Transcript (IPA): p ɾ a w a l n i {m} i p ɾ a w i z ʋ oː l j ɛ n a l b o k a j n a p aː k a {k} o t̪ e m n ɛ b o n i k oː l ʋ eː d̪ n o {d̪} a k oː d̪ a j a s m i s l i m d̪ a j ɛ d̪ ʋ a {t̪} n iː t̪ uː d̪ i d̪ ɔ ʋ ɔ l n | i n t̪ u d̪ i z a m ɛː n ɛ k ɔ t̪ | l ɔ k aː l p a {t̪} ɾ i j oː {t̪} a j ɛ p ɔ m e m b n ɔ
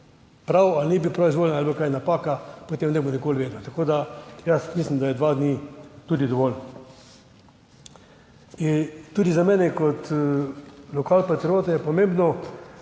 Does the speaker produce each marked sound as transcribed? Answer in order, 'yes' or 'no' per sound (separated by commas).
no, no, no, no, yes, yes